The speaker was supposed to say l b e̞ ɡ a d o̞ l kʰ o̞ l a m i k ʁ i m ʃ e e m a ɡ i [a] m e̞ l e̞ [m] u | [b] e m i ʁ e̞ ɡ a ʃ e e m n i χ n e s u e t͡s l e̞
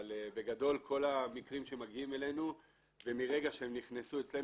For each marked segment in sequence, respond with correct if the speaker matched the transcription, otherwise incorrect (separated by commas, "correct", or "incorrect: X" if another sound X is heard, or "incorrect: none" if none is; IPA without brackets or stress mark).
incorrect: i, incorrect: n, incorrect: v